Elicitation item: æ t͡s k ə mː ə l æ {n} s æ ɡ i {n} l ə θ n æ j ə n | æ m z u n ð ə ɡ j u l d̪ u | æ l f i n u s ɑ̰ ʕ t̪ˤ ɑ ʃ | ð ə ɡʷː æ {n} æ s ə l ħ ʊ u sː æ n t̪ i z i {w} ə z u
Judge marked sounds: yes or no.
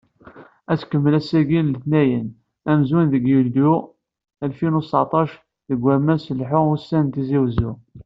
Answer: no, yes, no, yes

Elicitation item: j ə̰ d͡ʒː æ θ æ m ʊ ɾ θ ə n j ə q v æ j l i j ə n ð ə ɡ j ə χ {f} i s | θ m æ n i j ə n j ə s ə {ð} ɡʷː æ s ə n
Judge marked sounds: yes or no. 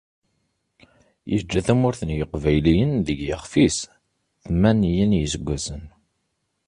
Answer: yes, no

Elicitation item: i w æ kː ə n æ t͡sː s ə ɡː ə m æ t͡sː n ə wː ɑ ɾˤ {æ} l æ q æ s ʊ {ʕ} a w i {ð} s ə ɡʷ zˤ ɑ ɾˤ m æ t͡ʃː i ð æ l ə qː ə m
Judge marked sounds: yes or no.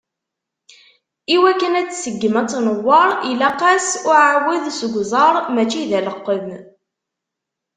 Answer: no, yes, yes

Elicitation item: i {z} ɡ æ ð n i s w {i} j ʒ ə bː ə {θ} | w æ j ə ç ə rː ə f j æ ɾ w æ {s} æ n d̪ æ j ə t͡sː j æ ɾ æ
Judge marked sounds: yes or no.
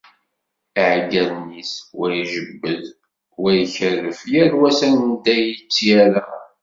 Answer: no, no, no, yes

